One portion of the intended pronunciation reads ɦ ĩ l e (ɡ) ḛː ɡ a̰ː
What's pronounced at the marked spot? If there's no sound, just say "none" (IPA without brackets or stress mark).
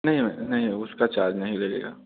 ɡ